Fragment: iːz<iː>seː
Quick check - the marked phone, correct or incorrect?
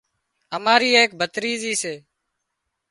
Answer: correct